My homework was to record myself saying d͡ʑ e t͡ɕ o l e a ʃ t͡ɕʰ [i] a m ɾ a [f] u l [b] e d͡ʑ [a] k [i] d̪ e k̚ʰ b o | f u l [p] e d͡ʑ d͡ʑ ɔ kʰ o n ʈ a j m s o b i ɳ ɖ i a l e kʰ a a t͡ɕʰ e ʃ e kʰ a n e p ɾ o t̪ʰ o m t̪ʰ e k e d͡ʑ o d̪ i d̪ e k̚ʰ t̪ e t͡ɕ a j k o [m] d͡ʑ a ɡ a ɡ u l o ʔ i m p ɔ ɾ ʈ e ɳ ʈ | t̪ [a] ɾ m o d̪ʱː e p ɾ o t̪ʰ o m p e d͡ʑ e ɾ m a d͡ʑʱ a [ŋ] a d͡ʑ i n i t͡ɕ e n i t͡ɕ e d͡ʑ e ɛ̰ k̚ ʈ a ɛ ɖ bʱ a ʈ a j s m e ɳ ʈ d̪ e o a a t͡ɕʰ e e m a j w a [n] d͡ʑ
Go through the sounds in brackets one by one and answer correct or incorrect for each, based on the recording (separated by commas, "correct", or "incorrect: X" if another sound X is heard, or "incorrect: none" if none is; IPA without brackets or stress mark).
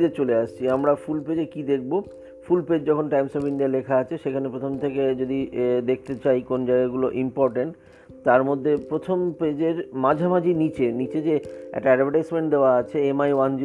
correct, correct, incorrect: p, incorrect: e, correct, correct, incorrect: n, correct, incorrect: m, correct